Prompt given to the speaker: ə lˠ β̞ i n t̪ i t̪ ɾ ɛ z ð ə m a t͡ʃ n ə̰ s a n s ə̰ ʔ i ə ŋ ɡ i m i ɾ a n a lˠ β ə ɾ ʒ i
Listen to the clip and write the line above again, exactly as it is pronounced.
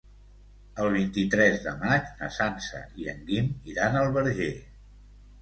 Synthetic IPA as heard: ə lˠ β̞ i n t̪ i t̪ ɾ ɛ z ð ə m a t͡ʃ n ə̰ s a n s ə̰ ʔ i ə ŋ ɡ i m i ɾ a n ə lˠ β ə ɾ ʒ e